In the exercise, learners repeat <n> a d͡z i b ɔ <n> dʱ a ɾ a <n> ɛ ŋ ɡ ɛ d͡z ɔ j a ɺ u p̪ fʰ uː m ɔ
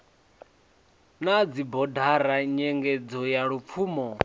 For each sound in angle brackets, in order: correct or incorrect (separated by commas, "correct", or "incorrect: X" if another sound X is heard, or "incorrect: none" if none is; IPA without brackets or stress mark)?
correct, incorrect: none, incorrect: ɲ